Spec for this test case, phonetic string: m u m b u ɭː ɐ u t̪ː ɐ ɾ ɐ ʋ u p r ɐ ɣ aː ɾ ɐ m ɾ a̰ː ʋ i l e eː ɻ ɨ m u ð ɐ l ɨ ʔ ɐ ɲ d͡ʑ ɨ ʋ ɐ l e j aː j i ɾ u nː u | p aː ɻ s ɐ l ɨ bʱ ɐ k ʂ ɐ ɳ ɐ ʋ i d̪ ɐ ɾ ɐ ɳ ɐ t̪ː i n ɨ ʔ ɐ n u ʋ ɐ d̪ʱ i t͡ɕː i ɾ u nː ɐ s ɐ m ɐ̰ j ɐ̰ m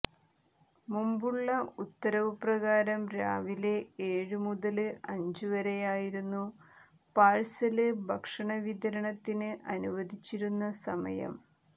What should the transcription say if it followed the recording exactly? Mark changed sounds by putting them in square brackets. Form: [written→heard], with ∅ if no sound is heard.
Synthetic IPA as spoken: m u m b u ɭː ɐ u t̪ː ɐ ɾ ɐ ʋ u p r ɐ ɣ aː ɾ ɐ m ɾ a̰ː ʋ i l e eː ɻ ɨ m u ð ɐ l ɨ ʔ ɐ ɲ d͡ʑ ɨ ʋ ɐ [l→ɾ] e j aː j i ɾ u nː u | p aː ɻ s ɐ l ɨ bʱ ɐ k ʂ ɐ ɳ ɐ ʋ i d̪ ɐ ɾ ɐ ɳ ɐ t̪ː i n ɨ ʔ ɐ n u ʋ ɐ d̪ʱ i t͡ɕː i ɾ u nː ɐ s ɐ m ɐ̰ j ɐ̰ m